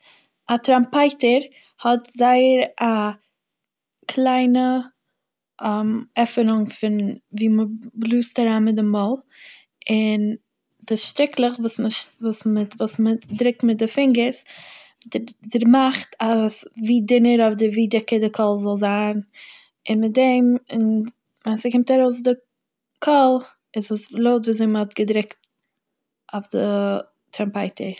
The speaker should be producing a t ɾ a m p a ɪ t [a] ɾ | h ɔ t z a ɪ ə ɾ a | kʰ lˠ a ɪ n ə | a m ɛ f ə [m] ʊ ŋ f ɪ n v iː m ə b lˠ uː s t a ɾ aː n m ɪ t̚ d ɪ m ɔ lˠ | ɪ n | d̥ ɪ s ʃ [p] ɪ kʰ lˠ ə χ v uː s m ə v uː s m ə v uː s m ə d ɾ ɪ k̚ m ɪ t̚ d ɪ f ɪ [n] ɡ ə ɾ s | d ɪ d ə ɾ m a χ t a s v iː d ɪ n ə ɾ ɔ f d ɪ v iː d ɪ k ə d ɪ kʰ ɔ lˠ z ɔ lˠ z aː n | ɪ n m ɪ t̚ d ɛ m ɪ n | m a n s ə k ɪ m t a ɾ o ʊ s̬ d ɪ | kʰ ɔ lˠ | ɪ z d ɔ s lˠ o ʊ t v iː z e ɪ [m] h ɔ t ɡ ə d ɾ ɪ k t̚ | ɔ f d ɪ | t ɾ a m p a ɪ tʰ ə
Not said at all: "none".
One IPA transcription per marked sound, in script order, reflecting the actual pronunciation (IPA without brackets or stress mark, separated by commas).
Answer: ə, n, t, ŋ, m